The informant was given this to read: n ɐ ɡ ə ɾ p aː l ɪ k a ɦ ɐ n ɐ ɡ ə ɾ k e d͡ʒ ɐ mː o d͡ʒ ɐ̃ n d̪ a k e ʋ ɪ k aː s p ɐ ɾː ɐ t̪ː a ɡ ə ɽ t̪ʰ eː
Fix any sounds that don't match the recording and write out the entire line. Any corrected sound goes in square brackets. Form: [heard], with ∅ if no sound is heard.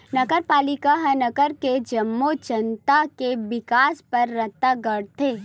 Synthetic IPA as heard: n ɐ ɡ ə ɾ p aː l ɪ k a ɦ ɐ n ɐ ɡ ə ɾ k e d͡ʒ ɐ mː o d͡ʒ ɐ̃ n [t̪] a k e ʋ ɪ k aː s p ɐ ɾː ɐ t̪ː a ɡ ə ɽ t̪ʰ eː